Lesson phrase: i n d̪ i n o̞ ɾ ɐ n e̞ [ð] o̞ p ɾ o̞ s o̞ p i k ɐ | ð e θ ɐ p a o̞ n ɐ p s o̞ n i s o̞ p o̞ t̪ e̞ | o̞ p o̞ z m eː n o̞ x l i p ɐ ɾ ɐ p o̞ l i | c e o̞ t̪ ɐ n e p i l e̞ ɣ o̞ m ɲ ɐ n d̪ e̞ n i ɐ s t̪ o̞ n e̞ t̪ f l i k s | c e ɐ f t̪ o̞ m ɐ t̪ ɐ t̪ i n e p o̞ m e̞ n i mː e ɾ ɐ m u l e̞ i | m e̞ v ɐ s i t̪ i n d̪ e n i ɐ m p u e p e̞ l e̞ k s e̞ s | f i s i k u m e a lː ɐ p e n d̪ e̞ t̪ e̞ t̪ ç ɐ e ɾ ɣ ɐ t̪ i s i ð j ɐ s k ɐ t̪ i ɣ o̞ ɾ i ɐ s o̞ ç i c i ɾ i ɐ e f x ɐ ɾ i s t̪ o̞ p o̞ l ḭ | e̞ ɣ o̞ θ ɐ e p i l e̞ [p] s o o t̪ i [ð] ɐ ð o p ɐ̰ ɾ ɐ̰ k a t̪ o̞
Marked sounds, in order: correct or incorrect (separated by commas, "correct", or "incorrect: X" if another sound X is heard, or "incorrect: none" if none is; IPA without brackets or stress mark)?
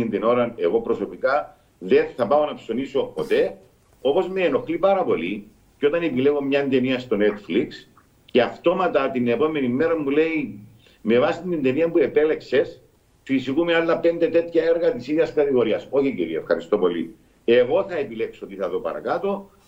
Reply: incorrect: ɣ, incorrect: k, incorrect: θ